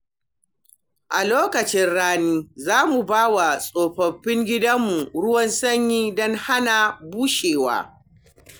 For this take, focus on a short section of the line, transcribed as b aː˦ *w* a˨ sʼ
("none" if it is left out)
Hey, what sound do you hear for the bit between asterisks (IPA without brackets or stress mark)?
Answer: w